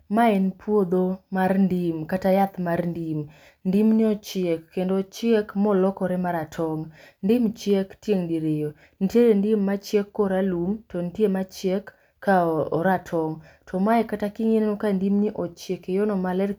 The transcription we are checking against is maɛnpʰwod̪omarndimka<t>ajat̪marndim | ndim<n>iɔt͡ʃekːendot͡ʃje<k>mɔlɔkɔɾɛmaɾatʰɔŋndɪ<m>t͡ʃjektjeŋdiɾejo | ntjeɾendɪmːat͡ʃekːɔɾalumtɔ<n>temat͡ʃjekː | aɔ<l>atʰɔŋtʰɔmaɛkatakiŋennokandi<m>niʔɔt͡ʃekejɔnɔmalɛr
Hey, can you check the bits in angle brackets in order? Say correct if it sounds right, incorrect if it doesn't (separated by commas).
correct, correct, correct, correct, correct, incorrect, correct